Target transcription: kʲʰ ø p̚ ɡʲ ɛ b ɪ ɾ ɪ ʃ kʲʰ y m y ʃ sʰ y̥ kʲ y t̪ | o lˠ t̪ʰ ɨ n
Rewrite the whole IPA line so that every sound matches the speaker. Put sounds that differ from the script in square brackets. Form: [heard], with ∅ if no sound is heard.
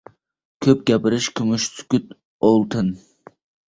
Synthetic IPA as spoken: kʲʰ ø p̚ ɡʲ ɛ [p] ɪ ɾ ɪ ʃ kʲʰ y m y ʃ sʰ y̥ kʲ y t̪ | o lˠ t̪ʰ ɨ n